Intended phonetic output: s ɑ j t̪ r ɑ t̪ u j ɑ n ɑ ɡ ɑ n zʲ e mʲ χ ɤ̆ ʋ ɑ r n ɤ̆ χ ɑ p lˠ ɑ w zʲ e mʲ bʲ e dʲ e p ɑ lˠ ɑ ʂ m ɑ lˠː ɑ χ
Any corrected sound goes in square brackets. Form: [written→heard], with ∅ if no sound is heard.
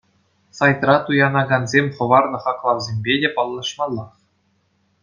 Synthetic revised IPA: s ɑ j t̪ r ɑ t̪ u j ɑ n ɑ ɡ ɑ n zʲ e mʲ χ ɤ̆ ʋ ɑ r n ɤ̆ χ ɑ [p→k] lˠ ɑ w zʲ e mʲ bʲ e dʲ e p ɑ [lˠ→lˠː] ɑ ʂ m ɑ lˠː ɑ χ